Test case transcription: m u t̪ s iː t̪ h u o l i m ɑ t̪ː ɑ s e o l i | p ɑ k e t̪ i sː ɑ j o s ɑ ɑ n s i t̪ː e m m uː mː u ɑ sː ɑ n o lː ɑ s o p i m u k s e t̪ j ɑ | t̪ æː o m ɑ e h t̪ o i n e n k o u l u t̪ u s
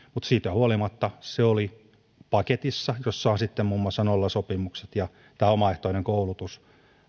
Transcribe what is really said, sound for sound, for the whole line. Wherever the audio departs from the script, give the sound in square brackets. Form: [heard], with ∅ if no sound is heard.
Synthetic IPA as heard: m u t̪ s iː t̪ h u o l i m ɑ t̪ː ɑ s e o l i | p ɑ k e t̪ i sː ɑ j o [sː] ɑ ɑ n s i t̪ː e m m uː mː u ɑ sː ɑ n o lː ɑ s o p i m u k s e t̪ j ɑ | t̪ æː o m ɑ e h t̪ o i n e [ŋ] k o u l u t̪ u s